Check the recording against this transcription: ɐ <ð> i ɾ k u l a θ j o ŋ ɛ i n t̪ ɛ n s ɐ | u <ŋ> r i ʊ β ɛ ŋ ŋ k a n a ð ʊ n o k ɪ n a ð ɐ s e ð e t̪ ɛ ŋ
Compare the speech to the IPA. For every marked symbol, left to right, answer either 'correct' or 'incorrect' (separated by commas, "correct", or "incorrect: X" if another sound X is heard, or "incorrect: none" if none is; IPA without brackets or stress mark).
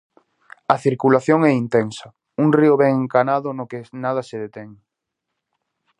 incorrect: θ, correct